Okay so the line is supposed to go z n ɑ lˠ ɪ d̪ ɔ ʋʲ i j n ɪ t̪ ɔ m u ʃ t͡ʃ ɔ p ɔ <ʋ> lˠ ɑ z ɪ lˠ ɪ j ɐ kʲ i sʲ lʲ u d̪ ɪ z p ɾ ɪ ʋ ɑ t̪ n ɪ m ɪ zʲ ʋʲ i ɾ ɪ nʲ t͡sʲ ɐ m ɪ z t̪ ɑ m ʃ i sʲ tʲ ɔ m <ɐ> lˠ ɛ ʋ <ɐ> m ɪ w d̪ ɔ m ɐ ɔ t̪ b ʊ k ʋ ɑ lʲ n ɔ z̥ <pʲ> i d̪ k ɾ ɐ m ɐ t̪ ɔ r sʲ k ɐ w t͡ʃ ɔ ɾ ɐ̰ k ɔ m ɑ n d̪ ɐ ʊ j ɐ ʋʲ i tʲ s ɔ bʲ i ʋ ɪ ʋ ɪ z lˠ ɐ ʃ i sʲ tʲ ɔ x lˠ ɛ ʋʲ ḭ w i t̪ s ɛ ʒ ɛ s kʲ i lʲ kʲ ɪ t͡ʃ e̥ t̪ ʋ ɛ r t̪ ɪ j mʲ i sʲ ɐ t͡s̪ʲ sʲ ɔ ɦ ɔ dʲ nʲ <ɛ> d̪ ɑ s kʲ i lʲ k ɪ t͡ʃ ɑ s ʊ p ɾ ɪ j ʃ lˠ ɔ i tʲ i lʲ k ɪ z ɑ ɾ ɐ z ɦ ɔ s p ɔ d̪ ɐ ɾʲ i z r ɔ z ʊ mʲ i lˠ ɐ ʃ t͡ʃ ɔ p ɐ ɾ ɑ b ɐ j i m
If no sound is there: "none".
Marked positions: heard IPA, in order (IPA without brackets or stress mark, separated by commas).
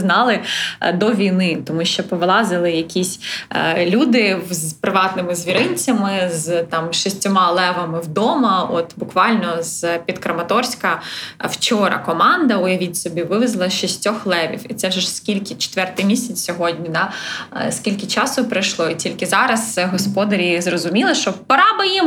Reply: ʋ, ɑ, ɐ, pʲ, i